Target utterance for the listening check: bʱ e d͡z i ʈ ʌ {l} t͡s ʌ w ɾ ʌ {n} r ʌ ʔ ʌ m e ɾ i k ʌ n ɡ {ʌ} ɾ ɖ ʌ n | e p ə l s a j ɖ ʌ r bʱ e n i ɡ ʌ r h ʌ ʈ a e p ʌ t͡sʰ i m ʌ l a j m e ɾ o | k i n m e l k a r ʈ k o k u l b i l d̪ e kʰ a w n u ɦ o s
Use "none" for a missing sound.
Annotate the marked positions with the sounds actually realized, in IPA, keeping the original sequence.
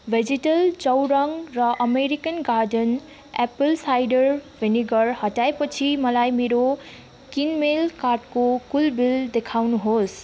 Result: l, ŋ, a

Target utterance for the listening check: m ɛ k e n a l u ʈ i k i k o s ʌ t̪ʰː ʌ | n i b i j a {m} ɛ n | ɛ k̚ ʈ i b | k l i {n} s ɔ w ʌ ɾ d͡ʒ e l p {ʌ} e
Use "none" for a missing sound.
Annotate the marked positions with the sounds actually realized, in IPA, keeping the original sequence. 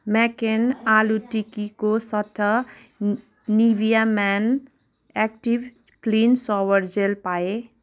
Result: m, n, a

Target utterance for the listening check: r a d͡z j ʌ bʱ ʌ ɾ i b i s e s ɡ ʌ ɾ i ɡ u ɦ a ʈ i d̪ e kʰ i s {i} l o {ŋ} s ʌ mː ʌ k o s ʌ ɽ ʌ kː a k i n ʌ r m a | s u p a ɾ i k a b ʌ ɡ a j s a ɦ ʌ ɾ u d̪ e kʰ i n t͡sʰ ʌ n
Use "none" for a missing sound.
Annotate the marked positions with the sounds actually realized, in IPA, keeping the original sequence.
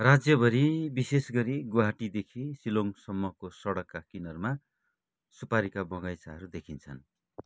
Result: i, ŋ

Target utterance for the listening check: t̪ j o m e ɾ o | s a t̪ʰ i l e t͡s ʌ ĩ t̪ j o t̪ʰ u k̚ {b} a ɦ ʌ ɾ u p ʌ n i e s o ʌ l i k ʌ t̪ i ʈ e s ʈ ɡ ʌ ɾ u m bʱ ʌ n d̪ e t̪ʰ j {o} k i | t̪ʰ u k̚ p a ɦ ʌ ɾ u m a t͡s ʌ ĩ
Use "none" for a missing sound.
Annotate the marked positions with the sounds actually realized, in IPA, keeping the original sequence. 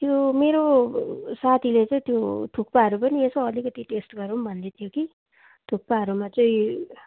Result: p, o

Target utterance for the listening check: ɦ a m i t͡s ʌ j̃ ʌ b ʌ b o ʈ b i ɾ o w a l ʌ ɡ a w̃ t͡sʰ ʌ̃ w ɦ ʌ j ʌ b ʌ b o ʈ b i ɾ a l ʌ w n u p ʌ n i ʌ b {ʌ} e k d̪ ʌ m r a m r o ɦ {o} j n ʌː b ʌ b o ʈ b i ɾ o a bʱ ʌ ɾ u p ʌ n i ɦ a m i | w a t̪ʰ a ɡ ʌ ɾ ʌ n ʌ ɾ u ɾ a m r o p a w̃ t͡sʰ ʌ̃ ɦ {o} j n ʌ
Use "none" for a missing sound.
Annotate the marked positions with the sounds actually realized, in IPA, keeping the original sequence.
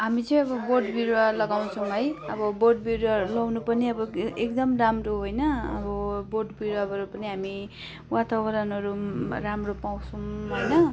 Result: ʌ, o, o

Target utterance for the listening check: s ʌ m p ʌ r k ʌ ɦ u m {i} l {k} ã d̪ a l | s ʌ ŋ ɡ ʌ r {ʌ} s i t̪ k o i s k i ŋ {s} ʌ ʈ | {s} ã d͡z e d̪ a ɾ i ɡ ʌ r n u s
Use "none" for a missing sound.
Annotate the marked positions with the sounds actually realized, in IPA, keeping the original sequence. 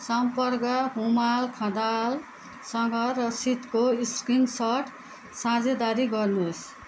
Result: a, kʰ, ʌ, s, s

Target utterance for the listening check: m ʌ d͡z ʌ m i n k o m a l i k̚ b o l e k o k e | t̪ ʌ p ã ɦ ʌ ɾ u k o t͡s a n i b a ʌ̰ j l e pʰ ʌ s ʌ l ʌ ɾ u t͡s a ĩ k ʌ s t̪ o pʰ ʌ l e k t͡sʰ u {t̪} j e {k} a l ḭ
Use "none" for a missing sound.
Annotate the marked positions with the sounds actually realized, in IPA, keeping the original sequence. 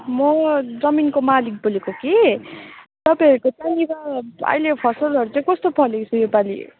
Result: none, p

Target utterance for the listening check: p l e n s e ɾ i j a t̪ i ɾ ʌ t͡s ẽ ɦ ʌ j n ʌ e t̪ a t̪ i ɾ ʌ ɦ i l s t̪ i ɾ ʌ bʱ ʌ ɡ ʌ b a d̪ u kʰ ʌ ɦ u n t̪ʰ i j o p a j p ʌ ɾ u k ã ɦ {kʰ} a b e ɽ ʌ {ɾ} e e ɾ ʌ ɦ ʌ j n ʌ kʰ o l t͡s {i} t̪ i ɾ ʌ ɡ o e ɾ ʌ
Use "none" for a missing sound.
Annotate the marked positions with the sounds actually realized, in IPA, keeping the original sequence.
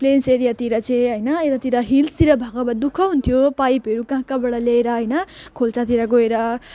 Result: k, l, a

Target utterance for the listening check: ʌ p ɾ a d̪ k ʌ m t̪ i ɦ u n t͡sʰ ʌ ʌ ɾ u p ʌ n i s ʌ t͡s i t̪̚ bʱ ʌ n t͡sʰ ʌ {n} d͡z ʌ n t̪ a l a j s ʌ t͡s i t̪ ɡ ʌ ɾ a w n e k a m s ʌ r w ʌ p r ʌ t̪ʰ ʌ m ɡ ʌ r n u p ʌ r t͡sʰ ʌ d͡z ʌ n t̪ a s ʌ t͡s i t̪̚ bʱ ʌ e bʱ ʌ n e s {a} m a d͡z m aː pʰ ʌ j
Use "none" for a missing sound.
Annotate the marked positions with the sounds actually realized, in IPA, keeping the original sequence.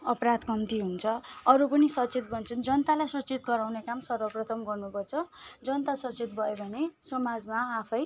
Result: n, ʌ

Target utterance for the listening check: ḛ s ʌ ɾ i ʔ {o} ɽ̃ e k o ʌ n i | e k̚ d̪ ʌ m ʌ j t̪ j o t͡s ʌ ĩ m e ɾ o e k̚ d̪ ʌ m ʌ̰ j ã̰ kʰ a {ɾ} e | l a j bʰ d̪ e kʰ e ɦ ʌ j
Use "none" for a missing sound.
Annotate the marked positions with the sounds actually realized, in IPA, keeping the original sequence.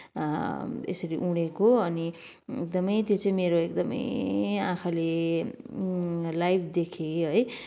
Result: u, l

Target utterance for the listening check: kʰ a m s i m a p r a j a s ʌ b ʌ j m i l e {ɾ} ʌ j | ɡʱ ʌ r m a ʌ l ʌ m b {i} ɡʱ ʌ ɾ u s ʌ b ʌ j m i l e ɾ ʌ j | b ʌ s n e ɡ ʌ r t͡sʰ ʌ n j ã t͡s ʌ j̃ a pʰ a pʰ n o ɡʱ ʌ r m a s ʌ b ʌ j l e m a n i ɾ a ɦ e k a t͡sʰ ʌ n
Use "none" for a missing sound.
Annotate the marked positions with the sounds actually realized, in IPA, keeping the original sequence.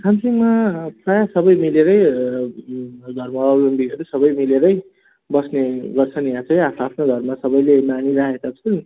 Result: ɾ, i

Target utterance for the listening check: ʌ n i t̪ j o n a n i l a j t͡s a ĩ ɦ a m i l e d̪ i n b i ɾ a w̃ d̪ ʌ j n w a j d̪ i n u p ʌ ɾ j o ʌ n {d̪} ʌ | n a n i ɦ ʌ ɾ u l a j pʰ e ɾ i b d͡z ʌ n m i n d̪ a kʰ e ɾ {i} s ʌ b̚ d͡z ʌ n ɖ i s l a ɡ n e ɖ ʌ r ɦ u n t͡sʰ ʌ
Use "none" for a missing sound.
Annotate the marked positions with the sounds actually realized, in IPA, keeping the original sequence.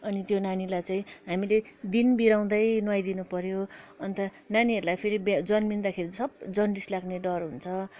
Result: t̪, i

